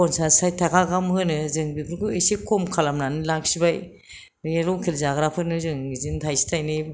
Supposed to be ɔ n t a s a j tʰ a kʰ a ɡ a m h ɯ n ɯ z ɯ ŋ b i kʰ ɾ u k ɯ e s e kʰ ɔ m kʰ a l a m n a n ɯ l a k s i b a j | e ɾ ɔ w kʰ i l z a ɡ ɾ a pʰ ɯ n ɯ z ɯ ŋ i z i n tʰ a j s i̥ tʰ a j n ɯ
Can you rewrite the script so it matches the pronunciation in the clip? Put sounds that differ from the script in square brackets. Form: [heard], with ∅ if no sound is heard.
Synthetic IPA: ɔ n [s] a s a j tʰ a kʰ a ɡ a m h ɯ n ɯ z ɯ ŋ b i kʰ ɾ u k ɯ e s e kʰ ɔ m kʰ a l a m n a n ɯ l a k s i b a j | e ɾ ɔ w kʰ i l z a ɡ ɾ a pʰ ɯ n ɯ z ɯ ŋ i z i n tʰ a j s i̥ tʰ a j n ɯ